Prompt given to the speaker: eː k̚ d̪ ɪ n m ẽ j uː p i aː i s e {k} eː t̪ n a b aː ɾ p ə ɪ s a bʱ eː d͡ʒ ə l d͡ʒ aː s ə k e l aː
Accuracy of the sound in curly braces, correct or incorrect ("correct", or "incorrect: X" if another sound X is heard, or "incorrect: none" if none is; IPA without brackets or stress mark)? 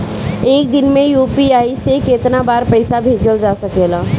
correct